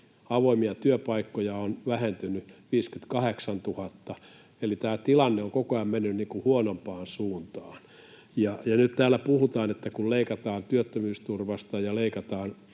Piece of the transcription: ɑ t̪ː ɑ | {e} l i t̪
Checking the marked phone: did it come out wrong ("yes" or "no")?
no